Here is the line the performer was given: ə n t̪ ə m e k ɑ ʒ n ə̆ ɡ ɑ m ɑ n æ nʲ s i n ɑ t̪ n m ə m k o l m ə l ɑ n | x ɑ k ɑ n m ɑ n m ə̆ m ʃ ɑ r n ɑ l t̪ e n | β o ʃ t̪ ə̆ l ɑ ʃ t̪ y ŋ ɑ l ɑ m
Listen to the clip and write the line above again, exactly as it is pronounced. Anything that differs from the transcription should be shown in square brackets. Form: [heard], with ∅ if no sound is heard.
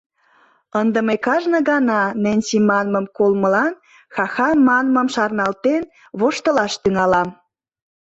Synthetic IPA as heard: ə n [d̪] ə m e k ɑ ʒ n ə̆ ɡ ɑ [n] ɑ n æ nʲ s i [m] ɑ [∅] n m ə m k o l m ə l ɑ n | x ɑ [x] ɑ n m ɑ n m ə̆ m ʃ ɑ r n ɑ l t̪ e n | β o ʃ t̪ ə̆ l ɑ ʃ t̪ y ŋ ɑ l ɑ m

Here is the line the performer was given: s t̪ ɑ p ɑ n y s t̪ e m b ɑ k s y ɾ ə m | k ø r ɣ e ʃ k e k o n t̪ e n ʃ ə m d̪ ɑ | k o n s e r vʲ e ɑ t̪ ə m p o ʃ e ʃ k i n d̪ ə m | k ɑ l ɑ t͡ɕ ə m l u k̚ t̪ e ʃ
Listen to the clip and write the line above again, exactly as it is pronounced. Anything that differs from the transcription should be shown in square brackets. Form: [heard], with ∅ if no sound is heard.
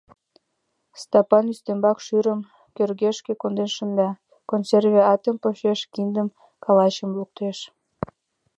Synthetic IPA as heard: s t̪ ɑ p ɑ n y s t̪ e m b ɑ k [ʃ] y ɾ ə m | k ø r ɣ e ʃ k e k o n [d̪] e n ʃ ə [n] d̪ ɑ | k o n s e r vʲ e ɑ t̪ ə m p o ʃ e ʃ k i n d̪ ə m | k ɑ l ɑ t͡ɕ ə m l u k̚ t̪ e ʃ

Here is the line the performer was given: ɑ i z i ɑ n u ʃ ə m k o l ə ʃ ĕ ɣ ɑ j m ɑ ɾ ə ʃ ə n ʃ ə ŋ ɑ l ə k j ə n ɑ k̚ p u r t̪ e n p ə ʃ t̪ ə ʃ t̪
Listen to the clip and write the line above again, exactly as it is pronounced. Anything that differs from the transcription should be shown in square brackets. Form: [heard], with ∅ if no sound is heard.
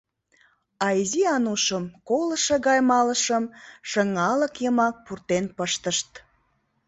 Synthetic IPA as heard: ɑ i z i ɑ n u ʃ ə m k o l ə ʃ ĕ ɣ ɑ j m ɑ [l] ə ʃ ə [m] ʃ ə ŋ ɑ l ə k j ə [m] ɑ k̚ p u r t̪ e n p ə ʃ t̪ ə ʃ t̪

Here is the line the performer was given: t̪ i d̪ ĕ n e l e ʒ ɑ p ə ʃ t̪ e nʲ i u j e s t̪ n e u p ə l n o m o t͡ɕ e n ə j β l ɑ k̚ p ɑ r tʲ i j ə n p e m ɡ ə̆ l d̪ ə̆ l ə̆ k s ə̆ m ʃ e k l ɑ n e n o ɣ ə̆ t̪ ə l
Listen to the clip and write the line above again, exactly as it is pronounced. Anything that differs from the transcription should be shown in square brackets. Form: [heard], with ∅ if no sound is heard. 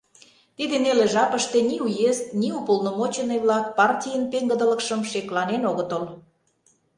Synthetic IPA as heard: t̪ i d̪ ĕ n e l e ʒ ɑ p ə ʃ t̪ e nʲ i u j e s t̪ n [i] u p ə l n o m o t͡ɕ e n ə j β l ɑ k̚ p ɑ r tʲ i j ə n p e [ŋ] ɡ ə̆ [∅] d̪ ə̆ l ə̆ k [ʃ] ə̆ m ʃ e k l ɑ n e n o ɣ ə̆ t̪ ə l

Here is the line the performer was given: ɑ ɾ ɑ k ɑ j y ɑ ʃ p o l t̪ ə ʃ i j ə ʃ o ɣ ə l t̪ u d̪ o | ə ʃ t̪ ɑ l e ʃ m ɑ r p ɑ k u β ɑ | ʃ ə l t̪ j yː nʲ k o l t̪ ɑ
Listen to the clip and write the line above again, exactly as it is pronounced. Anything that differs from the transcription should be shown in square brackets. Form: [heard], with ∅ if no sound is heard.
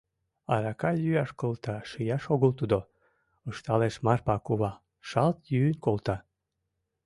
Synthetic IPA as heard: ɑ ɾ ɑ k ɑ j y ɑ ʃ [k] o l t̪ [ɑ] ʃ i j [ɑ] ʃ o ɣ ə l t̪ u d̪ o | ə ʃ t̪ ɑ l e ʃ m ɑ r p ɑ k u β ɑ | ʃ [ɑ] l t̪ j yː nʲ k o l t̪ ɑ

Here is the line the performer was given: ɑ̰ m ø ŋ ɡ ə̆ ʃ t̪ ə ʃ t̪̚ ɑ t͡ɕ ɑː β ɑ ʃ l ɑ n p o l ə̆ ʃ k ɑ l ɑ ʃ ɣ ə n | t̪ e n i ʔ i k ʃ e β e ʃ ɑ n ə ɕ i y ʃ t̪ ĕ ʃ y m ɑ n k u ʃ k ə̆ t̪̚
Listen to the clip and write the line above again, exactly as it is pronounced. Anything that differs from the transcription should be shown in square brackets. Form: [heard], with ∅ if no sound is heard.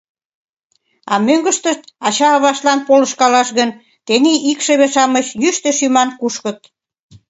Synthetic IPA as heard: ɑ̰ m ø ŋ ɡ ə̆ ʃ t̪ ə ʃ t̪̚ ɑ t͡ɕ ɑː β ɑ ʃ l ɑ n p o l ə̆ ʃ k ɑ l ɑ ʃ ɣ ə n | t̪ e n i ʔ i k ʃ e β e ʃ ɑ [m] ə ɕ [j] y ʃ t̪ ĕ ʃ y m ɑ n k u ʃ k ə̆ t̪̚

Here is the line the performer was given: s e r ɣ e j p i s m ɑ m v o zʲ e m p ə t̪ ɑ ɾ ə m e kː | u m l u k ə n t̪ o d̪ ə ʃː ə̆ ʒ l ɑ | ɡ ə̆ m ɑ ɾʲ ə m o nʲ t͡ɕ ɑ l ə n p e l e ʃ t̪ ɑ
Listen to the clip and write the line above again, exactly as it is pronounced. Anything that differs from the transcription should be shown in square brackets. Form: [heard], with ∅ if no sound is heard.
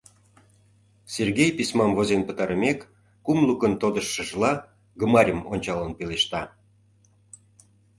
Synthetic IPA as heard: s e r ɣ e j p i s m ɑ m v o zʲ e [n] p ə t̪ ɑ ɾ ə m e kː | u m l u k ə n t̪ o d̪ ə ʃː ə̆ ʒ l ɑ | ɡ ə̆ m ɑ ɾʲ ə m o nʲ t͡ɕ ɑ l ə n p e l e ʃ t̪ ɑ

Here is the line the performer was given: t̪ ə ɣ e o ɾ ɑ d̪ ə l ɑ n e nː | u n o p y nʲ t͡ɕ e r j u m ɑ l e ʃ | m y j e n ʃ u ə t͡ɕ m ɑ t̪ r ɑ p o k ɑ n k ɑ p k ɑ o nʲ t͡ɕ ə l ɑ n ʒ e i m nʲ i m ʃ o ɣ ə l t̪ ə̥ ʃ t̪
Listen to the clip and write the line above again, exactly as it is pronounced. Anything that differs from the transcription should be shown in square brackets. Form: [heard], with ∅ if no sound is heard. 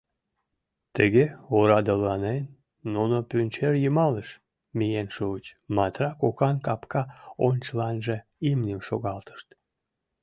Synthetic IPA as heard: t̪ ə ɣ e o ɾ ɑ d̪ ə l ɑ n e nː | u n o p y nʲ t͡ɕ e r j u m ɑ l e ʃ | m [i] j e n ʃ u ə t͡ɕ m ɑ t̪ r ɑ [k] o k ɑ n k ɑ p k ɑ o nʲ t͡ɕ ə l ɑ n ʒ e i m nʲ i m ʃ o ɣ [ɑ] l t̪ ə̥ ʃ t̪

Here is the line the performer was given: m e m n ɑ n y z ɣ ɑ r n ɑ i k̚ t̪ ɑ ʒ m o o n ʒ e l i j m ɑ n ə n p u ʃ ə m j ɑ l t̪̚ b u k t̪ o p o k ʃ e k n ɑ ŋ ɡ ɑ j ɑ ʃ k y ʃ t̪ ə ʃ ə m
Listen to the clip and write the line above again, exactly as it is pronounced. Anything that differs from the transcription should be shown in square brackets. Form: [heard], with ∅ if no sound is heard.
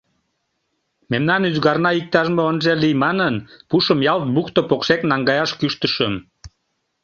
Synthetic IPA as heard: m e m n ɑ n y z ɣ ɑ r n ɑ i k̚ t̪ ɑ ʒ m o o n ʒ e l i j m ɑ n ə n p u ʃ ə m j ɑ l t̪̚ b u k t̪ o p o k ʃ e k n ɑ ŋ ɡ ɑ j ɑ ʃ k y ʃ t̪ ə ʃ ə m

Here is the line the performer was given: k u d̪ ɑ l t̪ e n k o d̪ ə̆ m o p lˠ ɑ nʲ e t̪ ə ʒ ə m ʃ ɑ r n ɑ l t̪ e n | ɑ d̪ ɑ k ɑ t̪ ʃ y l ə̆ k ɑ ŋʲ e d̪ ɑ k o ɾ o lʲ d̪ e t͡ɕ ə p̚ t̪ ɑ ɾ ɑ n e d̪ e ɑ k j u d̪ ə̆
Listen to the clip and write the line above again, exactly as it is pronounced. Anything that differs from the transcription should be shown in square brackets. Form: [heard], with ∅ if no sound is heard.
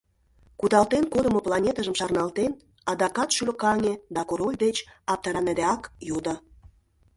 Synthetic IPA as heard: k u d̪ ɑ l t̪ e n k o d̪ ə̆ m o p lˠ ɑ nʲ e t̪ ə ʒ ə m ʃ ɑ r n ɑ l t̪ e n | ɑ d̪ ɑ k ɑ t̪ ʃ y l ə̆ k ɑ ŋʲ e d̪ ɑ k o ɾ o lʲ d̪ e t͡ɕ [ɑ] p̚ t̪ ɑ ɾ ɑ n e d̪ e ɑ k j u d̪ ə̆

